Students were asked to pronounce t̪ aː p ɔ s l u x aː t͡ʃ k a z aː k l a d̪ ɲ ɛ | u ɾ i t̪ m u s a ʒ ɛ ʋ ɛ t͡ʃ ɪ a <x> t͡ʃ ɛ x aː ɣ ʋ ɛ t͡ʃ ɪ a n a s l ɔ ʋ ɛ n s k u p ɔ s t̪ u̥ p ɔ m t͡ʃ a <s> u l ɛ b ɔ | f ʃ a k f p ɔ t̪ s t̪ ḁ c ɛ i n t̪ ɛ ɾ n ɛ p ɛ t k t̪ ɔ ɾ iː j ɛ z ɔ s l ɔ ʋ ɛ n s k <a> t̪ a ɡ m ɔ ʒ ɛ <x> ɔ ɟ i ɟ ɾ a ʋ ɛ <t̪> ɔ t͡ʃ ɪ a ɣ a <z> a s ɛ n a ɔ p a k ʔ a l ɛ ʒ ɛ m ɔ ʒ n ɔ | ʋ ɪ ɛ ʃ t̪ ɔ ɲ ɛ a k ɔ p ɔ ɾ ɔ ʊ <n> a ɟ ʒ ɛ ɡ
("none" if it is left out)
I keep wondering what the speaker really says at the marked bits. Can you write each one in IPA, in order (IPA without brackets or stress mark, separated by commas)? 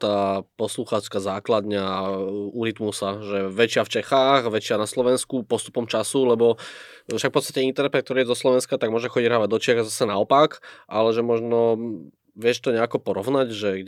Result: f, s, a, x, d̪, z, n